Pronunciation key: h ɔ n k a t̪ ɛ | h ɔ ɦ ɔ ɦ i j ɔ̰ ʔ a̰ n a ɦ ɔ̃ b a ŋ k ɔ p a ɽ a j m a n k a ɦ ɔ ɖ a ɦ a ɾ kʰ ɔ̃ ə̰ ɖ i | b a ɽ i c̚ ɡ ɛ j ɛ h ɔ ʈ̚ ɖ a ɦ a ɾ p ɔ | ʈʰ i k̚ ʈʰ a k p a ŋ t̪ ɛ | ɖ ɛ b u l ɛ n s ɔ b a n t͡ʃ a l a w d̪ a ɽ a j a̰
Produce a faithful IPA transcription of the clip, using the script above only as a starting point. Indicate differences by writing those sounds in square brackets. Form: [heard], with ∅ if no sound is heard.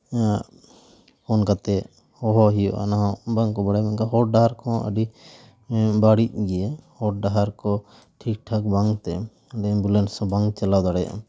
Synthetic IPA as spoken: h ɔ n k a t̪ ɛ | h ɔ ɦ ɔ ɦ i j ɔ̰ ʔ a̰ n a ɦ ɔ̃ b a ŋ k ɔ [b] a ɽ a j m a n k a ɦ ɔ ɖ a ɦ a ɾ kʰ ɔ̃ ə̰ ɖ i | b a ɽ i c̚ ɡ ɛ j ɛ h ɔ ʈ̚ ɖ a ɦ a ɾ [k] ɔ | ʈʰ i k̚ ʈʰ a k [b] a ŋ t̪ ɛ | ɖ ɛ b u l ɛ n s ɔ b a [ŋ] t͡ʃ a l a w d̪ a ɽ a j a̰